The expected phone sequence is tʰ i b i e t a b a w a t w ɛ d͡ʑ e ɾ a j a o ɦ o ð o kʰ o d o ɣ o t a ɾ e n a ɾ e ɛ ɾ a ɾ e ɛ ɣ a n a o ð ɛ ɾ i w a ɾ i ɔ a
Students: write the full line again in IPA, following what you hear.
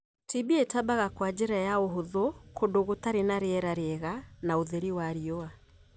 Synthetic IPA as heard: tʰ i b i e t a b a ɣ a k w a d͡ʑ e ɾ a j a o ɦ o ð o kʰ o d o ɣ o t a ɾ e n a ɾ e ɛ ɾ a ɾ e ɛ ɣ a n a o ð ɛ ɾ i w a ɾ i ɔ a